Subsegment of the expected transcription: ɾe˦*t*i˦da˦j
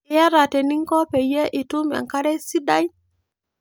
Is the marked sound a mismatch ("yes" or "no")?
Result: yes